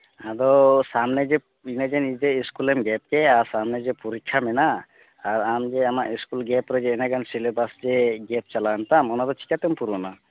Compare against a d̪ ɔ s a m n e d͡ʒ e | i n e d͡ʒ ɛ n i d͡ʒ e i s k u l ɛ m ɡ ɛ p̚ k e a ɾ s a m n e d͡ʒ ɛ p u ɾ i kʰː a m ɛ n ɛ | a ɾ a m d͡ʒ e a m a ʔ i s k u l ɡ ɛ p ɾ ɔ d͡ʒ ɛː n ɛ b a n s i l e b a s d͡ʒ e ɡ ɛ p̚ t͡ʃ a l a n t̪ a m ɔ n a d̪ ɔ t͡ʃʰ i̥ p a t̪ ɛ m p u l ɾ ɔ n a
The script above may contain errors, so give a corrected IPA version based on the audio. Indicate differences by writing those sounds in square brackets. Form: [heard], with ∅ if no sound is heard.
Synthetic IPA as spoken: a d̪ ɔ s a m n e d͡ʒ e | i n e d͡ʒ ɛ n i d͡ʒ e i s k u l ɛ m ɡ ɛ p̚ k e a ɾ s a m n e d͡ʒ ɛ p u ɾ i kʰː a m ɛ n [a] | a ɾ a m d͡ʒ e a m a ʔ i s k u l ɡ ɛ p ɾ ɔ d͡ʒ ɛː n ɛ [ɡ] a n s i l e b a s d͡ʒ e ɡ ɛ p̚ t͡ʃ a l a n t̪ a m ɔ n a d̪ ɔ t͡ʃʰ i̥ [k] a t̪ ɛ m p u [∅] ɾ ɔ n a